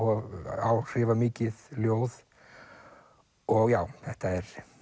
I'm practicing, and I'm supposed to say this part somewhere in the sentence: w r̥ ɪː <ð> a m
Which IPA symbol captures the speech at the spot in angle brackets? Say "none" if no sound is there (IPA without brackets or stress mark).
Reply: v